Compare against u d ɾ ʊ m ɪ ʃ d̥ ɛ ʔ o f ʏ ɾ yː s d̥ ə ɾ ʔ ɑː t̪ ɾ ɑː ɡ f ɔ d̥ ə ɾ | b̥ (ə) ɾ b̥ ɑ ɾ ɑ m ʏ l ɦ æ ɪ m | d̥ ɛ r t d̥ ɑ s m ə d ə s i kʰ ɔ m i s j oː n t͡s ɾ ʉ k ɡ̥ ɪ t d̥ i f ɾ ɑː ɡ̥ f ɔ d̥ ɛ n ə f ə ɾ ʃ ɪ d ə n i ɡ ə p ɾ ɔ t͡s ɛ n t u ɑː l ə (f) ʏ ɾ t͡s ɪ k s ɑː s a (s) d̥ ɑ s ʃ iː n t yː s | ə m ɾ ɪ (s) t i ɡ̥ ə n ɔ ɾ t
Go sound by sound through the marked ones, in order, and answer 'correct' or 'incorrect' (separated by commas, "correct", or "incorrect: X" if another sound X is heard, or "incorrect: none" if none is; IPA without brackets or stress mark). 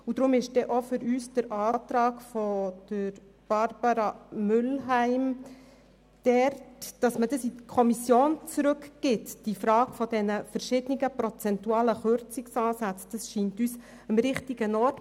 incorrect: ɑ, incorrect: χ, incorrect: t͡s, incorrect: χ